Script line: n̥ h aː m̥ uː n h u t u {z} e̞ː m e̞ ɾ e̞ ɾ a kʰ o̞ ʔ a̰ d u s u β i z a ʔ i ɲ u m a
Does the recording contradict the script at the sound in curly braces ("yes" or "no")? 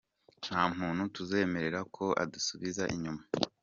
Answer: no